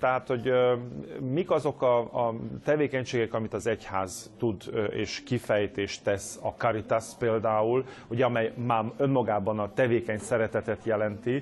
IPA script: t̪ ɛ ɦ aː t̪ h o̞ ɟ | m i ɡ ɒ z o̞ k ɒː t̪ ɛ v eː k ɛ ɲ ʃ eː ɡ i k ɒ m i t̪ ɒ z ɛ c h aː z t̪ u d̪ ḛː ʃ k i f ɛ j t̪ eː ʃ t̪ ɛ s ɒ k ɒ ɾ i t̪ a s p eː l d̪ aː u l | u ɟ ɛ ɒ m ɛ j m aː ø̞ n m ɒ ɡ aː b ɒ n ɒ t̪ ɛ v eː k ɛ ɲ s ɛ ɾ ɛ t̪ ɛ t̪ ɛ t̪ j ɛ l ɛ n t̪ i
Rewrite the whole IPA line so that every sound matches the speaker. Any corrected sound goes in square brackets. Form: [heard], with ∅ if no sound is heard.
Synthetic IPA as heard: t̪ ɛ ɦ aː t̪ h o̞ ɟ | m i [k] ɒ z o̞ k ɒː t̪ ɛ v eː k ɛ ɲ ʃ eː ɡ [ɛ] k ɒ m i t̪ ɒ z ɛ c h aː z t̪ u d̪ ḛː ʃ k i f ɛ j t̪ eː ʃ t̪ ɛ s ɒ k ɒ ɾ i t̪ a s p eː l d̪ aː u l | u ɟ ɛ ɒ m ɛ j m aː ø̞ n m ɒ ɡ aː b ɒ n ɒ t̪ ɛ v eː k ɛ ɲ s ɛ ɾ ɛ t̪ ɛ t̪ ɛ t̪ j ɛ l ɛ n t̪ i